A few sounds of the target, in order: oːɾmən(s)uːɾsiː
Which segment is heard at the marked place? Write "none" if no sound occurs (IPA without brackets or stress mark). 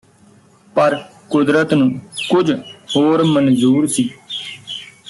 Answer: z